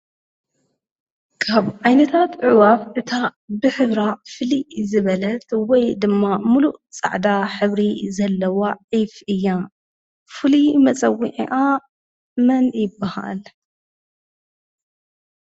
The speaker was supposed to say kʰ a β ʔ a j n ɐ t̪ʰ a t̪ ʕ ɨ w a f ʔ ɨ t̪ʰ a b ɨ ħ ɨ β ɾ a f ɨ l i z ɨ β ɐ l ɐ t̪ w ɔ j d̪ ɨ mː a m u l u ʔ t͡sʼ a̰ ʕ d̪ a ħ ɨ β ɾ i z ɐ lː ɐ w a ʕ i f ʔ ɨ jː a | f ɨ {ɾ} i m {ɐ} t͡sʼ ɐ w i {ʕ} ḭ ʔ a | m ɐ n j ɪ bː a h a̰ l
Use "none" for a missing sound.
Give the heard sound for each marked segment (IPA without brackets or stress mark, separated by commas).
l, ɐ, ʕ